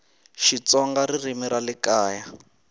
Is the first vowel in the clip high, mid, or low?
high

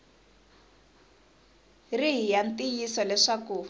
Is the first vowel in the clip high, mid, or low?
high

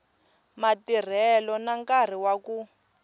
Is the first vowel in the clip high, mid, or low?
low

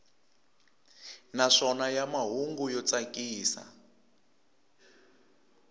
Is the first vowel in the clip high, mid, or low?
low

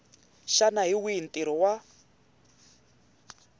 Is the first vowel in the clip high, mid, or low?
low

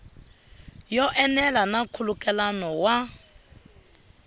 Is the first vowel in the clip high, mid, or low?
mid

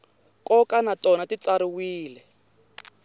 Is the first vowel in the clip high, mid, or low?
mid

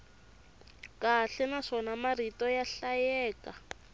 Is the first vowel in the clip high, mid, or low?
low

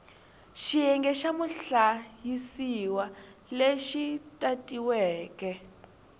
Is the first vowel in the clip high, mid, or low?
high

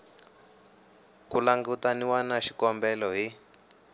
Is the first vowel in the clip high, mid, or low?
high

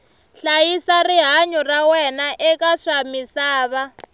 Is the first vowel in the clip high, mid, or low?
low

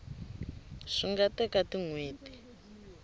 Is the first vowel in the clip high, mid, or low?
high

